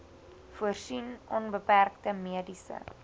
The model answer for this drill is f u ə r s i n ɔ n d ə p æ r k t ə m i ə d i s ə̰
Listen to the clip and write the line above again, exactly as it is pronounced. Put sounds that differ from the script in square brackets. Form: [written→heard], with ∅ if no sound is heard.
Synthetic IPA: f u ə r s i n ɔ n [d→b] ə p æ r k t ə m i ə d i s ə̰